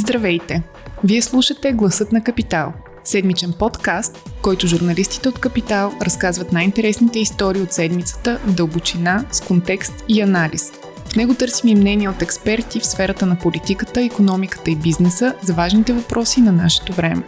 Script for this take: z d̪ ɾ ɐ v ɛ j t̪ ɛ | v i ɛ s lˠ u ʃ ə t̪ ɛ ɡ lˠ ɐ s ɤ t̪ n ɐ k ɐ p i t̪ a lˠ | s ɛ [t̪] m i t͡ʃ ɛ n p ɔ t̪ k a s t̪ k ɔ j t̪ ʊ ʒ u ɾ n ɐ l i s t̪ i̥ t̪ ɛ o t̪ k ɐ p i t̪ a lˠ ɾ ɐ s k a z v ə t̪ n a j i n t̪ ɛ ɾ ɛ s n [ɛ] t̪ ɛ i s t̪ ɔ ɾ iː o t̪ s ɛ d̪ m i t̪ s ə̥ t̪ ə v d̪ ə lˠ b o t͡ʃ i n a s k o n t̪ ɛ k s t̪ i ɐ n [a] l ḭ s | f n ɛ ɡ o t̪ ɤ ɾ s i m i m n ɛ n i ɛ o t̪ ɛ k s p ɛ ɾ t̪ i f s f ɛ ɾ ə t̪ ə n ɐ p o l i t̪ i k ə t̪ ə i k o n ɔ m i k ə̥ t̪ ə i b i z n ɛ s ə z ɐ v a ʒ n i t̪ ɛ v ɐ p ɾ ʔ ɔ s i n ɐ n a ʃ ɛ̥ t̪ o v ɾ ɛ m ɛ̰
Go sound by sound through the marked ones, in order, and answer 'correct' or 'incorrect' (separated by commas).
incorrect, incorrect, correct